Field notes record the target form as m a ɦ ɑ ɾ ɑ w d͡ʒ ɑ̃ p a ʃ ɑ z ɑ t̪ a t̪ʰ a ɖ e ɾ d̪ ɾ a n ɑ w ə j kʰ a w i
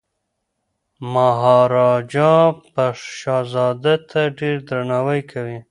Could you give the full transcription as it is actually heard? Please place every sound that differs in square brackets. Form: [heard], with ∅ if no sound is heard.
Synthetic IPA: m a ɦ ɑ ɾ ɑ [∅] d͡ʒ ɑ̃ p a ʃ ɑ z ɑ [d̪] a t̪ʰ a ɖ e ɾ d̪ ɾ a n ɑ w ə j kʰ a w i

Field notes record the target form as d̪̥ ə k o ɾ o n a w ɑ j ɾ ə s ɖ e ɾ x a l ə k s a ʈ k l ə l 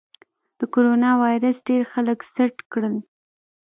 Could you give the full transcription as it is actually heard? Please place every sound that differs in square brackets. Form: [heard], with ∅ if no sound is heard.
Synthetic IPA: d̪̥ ə k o ɾ o n [ɑ] w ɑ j ɾ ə s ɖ e ɾ x a l ə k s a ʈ k [ɽ] ə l

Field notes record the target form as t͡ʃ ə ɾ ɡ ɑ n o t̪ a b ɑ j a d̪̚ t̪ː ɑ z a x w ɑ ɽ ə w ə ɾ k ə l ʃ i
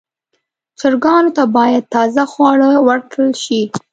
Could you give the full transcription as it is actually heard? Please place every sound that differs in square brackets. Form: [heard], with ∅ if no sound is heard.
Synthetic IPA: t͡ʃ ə ɾ ɡ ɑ n o t̪ a b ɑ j a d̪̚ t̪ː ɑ z a x w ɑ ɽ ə w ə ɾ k ə l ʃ i

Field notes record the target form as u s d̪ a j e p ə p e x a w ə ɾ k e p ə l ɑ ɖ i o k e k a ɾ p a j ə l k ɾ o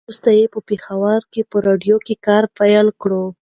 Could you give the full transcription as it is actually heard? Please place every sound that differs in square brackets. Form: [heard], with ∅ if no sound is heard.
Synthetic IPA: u s [t̪] a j e p ə p e x a w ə ɾ k e p ə [ɾ] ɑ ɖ [j] o k e k [ɑ] ɾ p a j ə l k [ɽ] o

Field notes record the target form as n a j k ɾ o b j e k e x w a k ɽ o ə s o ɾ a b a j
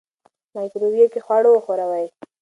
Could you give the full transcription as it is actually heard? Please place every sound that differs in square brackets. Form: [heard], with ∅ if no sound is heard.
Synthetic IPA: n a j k ɾ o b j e k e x w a [∅] ɽ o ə [x] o ɾ a [w] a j

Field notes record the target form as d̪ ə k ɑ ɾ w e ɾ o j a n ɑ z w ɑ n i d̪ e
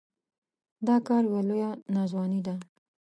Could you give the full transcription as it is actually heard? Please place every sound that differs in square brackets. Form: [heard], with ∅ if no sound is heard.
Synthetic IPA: d̪ [ɑ] k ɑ ɾ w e [l] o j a n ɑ z w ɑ n i d̪ [a]

